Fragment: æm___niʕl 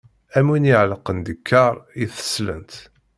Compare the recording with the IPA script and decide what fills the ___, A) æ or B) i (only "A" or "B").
B